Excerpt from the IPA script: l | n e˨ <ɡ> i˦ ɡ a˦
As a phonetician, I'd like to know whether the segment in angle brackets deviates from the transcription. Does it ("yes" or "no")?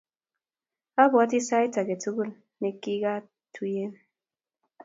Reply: yes